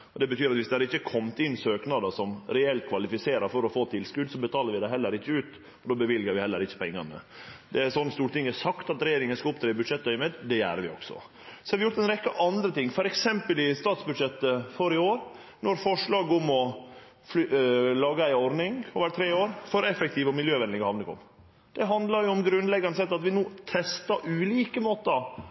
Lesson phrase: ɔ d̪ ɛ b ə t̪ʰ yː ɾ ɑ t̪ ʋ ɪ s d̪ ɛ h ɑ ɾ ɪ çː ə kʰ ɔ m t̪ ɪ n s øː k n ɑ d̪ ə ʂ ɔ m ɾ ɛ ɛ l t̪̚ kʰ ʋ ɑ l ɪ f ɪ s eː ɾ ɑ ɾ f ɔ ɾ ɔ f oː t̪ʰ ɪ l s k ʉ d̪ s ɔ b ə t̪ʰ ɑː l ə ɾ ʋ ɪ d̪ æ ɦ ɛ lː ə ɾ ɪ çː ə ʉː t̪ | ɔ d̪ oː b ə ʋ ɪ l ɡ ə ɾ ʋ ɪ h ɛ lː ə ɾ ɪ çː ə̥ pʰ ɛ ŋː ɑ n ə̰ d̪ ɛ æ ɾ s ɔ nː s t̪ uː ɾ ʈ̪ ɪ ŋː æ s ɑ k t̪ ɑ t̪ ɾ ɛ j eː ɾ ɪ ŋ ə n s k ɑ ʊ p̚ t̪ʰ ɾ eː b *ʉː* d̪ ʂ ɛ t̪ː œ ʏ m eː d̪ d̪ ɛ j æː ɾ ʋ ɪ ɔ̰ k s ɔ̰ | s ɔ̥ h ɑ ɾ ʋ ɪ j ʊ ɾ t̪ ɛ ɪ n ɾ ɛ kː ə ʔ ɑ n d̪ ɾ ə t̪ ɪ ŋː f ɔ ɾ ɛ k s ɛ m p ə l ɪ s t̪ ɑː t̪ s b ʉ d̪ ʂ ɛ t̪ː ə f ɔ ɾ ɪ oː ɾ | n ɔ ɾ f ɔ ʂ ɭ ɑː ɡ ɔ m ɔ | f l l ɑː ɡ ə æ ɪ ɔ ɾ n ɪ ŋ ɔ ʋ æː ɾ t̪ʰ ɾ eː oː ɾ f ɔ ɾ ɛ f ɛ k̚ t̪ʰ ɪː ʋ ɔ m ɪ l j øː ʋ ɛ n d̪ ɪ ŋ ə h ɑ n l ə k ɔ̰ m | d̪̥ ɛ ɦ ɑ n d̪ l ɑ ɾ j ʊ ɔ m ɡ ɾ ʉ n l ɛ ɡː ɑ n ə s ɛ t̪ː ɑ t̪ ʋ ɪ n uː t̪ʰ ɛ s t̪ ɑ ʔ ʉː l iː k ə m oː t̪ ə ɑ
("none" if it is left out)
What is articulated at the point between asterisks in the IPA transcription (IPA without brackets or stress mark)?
ʉ